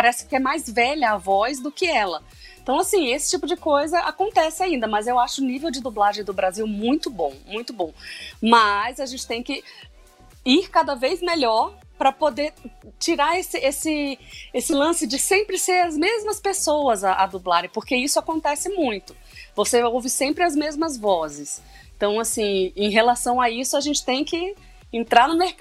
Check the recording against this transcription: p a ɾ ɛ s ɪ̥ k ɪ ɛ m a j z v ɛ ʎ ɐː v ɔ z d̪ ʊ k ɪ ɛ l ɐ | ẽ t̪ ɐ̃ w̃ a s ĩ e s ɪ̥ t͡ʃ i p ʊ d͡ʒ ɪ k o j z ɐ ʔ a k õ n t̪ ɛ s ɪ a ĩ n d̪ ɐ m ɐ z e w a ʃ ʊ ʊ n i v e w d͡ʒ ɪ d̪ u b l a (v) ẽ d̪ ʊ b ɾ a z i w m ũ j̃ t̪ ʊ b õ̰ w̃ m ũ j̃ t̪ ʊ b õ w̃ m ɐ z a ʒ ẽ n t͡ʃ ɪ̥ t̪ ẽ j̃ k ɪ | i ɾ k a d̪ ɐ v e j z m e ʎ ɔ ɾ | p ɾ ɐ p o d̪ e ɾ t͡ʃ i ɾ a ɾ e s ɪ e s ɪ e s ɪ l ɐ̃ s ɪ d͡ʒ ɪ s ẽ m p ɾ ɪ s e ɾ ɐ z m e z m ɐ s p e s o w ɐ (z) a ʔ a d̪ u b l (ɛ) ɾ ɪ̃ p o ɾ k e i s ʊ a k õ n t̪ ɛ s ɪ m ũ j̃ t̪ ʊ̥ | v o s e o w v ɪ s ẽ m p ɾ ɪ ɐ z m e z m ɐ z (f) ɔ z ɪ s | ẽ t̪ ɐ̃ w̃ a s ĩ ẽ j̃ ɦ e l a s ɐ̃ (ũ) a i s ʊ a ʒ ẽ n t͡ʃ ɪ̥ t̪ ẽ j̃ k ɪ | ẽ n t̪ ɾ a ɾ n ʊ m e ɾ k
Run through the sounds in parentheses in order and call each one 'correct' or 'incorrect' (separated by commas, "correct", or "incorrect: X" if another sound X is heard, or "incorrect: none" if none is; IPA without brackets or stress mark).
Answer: incorrect: ʒ, correct, incorrect: a, incorrect: v, incorrect: w̃